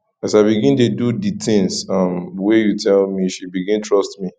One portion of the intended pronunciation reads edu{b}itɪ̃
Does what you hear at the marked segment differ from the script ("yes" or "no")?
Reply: yes